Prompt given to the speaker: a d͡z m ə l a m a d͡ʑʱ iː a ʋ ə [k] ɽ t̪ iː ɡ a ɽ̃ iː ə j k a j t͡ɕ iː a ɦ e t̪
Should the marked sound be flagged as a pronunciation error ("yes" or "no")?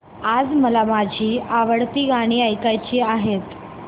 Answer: yes